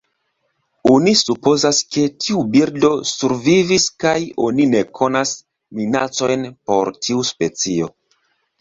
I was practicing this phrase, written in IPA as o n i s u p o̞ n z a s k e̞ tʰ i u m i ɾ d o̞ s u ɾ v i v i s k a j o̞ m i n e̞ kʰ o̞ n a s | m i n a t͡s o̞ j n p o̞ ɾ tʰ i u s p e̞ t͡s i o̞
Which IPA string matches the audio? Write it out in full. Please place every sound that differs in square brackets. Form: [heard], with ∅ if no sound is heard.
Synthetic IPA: o n i s u p o̞ [∅] z a s k e̞ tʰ i u [b] i ɾ d o̞ s u ɾ v i v i s k a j o̞ [n] i n e̞ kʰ o̞ n a s | m i n a t͡s o̞ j n p o̞ ɾ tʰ i u s p e̞ t͡s i o̞